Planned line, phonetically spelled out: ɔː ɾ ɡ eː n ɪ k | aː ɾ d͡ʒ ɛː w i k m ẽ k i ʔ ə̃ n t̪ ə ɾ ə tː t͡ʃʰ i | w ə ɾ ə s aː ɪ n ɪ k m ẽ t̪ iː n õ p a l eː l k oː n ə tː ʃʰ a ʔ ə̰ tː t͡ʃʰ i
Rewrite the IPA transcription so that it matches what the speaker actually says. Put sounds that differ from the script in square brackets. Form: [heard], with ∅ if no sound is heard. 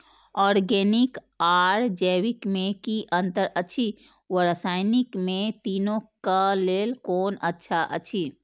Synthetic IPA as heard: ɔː ɾ ɡ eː n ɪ k | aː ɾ d͡ʒ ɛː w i k m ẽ k i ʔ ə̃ n t̪ ə ɾ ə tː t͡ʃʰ i | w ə ɾ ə s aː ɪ n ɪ k m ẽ t̪ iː n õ [k] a l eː l k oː n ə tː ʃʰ a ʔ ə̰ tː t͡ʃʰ i

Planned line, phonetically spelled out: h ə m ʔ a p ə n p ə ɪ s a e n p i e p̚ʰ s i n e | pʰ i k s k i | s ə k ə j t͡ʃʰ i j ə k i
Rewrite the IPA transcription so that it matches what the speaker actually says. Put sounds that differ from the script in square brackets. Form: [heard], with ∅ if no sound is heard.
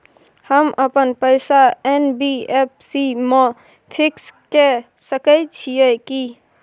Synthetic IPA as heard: h ə m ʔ [ə] p ə n p ə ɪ s a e n [b] i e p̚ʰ s i [m] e | pʰ i k s k [e] | s ə k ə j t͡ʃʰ i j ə k i

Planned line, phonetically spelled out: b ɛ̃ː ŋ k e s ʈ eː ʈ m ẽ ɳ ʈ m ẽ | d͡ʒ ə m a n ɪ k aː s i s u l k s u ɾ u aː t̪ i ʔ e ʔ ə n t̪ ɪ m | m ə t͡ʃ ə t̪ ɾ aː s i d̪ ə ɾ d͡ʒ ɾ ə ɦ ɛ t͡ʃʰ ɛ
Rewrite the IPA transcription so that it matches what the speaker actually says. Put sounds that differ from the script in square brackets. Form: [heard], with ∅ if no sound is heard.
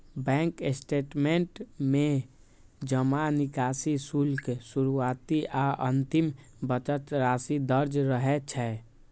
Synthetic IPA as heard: b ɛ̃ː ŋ k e s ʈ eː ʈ m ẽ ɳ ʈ m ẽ | d͡ʒ ə m a n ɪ k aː s i s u l k s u ɾ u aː t̪ i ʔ [a] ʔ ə n t̪ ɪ m | [b] ə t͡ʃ ə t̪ ɾ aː s i d̪ ə ɾ d͡ʒ ɾ ə ɦ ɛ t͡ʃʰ ɛ

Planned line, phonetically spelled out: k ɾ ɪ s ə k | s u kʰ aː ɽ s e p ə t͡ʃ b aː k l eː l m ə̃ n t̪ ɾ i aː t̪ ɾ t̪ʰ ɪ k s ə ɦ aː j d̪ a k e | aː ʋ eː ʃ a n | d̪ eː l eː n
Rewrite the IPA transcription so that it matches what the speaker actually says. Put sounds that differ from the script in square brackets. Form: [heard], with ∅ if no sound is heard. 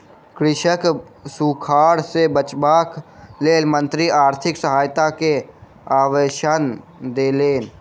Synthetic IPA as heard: k ɾ ɪ [ʃ] ə k | s u kʰ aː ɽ s e [b] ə t͡ʃ b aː k l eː l m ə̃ n t̪ ɾ i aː [∅] ɾ t̪ʰ ɪ k s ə ɦ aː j [t̪] a k e | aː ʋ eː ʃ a n | d̪ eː l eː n

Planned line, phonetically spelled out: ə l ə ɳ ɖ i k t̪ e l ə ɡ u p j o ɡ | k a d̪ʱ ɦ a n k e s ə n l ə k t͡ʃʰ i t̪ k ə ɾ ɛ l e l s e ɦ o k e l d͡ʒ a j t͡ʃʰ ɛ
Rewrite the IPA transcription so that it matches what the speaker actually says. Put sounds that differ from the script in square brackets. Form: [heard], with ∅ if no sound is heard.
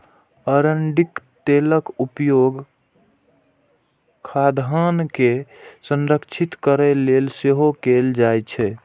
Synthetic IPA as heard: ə [ɾ] ə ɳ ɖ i k t̪ e l ə [k] u p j o ɡ | [kʰ] a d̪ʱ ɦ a n k e s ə n [ɾ] ə k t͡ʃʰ i t̪ k ə ɾ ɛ l e l s e ɦ o k e l d͡ʒ a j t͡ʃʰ ɛ

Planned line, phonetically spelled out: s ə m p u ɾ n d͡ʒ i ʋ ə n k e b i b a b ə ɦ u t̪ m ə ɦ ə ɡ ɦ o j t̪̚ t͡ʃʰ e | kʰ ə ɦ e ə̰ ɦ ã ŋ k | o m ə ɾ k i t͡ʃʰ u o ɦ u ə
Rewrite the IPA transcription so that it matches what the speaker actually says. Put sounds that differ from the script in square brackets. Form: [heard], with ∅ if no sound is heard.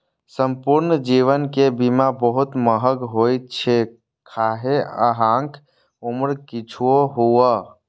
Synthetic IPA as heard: s ə m p u ɾ n d͡ʒ i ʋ ə n k e b i [m] a b ə ɦ u t̪ m ə ɦ ə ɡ ɦ o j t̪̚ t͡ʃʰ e | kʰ [a] ɦ e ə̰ ɦ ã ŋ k | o m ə ɾ k i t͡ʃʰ u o ɦ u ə

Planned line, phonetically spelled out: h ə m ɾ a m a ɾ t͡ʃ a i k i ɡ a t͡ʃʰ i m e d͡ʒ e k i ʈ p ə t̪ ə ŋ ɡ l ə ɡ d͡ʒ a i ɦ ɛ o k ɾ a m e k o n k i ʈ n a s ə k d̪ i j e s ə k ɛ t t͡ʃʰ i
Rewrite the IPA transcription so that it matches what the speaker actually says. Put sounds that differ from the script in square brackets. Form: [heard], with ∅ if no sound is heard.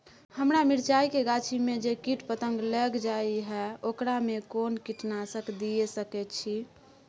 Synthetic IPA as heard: h ə m ɾ a m [i] ɾ t͡ʃ a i k [e] ɡ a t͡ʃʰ i m e d͡ʒ e k i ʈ p ə t̪ ə ŋ ɡ l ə ɡ d͡ʒ a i ɦ ɛ o k ɾ a m e k o n k i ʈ n a s ə k d̪ i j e s ə k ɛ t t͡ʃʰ i

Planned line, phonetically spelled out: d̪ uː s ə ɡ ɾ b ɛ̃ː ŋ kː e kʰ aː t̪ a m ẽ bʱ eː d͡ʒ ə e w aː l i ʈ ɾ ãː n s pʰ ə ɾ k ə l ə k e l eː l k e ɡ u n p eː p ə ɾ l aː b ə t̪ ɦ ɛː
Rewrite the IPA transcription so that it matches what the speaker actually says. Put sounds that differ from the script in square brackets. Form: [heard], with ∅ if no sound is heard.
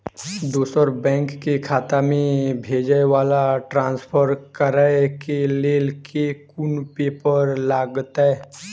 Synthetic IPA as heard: d̪ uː s ə [∅] ɾ b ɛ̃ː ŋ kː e kʰ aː t̪ a m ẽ bʱ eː d͡ʒ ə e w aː l [a] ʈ ɾ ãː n s pʰ ə ɾ k ə [ɾ] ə k e l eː l k e [k] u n p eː p ə ɾ l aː [ɡ] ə t̪ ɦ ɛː

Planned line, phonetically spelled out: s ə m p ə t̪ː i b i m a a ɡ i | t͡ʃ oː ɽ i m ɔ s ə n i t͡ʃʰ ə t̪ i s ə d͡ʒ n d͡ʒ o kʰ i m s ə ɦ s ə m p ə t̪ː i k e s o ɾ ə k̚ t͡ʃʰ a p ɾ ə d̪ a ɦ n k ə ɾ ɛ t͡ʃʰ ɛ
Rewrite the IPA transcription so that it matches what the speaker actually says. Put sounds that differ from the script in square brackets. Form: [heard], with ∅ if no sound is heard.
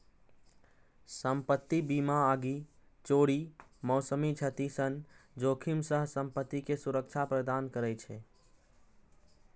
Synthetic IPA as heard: s ə m p ə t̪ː i b i m a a ɡ i | t͡ʃ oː ɽ i m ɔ s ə [m] i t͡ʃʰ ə t̪ i s ə [∅] n d͡ʒ o kʰ i m s ə ɦ s ə m p ə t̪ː i k e s [u] ɾ ə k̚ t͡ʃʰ a p ɾ ə d̪ a [∅] n k ə ɾ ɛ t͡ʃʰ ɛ

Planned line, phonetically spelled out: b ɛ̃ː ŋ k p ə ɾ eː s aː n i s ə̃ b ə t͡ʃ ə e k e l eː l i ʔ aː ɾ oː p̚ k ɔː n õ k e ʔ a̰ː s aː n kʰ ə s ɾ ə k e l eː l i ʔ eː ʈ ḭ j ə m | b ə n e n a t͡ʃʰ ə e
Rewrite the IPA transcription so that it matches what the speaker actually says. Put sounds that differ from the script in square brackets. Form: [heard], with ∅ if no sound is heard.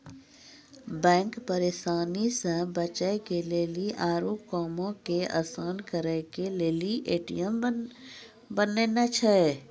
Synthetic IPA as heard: b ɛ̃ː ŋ k p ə ɾ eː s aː n i s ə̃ b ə t͡ʃ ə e k e l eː l i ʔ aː ɾ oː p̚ k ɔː [m] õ k e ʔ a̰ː s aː n [k] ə [∅] ɾ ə k e l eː l i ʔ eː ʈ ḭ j ə m | b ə n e n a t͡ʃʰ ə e

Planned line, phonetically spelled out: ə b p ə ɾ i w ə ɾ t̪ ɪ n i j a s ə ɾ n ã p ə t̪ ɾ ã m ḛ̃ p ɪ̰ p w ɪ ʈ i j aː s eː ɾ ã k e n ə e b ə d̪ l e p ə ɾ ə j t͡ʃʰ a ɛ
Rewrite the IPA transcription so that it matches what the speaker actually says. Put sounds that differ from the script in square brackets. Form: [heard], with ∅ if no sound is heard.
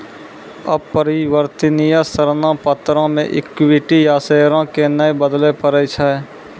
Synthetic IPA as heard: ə b p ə ɾ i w ə ɾ t̪ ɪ n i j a s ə ɾ n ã p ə t̪ ɾ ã m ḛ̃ [ʔ] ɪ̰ [k] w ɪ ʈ i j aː s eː ɾ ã k e n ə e b ə d̪ l e p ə ɾ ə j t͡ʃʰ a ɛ

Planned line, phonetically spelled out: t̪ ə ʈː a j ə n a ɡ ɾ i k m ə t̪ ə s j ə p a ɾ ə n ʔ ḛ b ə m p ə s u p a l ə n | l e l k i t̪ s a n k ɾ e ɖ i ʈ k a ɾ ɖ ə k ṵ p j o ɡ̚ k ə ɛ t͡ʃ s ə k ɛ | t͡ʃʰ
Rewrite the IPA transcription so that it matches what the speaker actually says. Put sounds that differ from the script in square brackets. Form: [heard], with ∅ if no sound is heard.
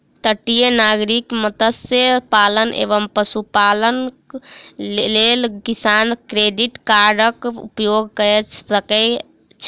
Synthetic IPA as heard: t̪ ə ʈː [i] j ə n a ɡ ɾ i k m ə t̪ ə s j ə p a [l] ə n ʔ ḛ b ə m p ə s u p a l ə n | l e l k i [∅] s a n k ɾ e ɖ i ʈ k a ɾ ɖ ə k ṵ p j o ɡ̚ k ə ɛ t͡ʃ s ə k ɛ | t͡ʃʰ

